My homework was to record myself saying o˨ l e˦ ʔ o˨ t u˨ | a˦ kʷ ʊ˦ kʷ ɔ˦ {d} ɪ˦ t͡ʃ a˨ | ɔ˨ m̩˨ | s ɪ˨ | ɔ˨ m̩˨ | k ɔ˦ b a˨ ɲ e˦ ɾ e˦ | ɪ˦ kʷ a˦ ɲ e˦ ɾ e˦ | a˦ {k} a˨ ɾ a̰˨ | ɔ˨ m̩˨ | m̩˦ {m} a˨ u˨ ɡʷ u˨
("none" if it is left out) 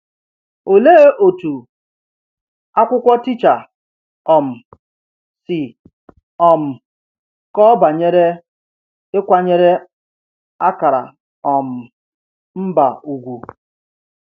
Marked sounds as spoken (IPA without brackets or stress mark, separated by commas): t, k, b